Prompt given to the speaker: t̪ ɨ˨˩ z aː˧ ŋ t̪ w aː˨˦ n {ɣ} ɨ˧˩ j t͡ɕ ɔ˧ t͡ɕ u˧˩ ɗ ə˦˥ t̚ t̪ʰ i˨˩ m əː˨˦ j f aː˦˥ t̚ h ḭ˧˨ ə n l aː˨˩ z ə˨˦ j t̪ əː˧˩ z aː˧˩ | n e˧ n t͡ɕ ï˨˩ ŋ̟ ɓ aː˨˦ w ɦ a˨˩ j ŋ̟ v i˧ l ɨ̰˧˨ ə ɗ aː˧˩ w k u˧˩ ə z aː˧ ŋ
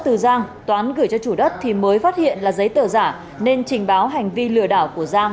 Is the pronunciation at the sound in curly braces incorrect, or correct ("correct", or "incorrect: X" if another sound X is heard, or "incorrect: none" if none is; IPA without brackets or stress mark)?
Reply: correct